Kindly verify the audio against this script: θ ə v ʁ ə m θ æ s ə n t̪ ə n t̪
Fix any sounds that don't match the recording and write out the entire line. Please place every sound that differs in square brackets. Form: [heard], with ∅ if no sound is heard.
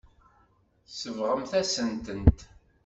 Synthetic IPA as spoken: [s] ə v ʁ ə m θ æ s ə n t̪ ə n t̪